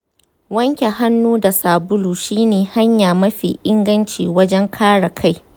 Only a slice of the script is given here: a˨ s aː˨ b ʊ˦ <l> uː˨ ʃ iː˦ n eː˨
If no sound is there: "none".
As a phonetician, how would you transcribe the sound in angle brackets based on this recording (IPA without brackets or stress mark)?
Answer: l